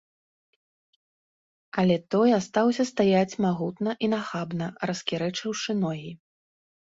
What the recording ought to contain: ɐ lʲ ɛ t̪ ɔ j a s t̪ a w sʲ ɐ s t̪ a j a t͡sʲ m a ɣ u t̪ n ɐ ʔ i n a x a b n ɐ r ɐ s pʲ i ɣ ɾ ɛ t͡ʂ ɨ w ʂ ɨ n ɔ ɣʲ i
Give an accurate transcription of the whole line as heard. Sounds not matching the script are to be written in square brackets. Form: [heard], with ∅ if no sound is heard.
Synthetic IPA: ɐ lʲ ɛ t̪ ɔ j a s t̪ a w sʲ ɐ s t̪ a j a t͡sʲ m a ɣ u t̪ n ɐ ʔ i n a x a b n ɐ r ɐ s [kʲ] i [∅] ɾ ɛ t͡ʂ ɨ w ʂ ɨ n ɔ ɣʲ i